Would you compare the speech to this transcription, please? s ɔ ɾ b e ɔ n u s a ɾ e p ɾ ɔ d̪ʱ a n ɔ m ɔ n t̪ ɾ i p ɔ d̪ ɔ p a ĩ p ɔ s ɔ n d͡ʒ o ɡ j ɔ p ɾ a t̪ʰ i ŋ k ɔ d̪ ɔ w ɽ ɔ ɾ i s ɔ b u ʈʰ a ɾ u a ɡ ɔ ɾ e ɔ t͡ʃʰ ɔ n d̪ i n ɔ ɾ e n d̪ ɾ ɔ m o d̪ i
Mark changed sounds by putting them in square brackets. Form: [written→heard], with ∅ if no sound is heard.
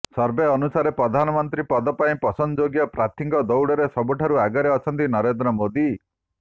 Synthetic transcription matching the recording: s ɔ ɾ b e ɔ n u s a ɾ e p ɾ ɔ d̪ʱ a n ɔ m ɔ n t̪ ɾ i p ɔ d̪ ɔ p a ĩ p ɔ s ɔ n d͡ʒ o ɡ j ɔ p ɾ a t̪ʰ i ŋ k ɔ d̪ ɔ w ɽ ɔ ɾ [i→e] s ɔ b u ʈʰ a ɾ u a ɡ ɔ ɾ e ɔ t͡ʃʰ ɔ n [d̪→t̪] i n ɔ ɾ e n d̪ ɾ ɔ m o d̪ i